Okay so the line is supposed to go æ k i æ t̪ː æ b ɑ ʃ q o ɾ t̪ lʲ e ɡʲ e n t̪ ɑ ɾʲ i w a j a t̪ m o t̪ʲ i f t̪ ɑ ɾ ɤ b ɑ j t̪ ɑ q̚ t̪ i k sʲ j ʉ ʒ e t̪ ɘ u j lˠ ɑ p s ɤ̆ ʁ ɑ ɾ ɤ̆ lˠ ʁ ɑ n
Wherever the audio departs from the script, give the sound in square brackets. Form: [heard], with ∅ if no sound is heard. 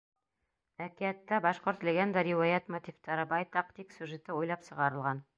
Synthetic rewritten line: æ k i æ t̪ː æ b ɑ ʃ q o ɾ t̪ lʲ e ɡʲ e n [d̪] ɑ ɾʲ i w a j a t̪ m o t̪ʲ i f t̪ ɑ ɾ ɤ b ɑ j t̪ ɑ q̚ t̪ i k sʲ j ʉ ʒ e t̪ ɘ u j lˠ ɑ p s ɤ̆ ʁ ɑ ɾ ɤ̆ lˠ ʁ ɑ n